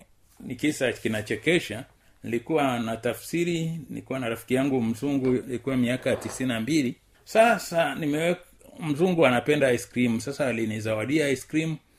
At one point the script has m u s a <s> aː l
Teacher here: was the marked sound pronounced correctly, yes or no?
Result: yes